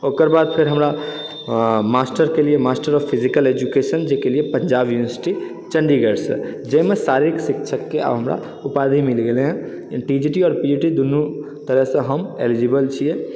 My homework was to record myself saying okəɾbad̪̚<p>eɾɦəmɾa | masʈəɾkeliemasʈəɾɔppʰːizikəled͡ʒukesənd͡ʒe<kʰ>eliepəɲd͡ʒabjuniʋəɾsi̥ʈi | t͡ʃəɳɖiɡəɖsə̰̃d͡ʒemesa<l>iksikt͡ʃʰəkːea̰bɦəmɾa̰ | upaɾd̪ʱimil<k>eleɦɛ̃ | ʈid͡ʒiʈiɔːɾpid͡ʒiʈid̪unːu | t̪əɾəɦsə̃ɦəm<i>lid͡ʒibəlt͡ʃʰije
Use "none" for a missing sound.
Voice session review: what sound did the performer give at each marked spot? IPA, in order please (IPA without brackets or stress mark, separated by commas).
pʰ, k, ɾ, ɡ, e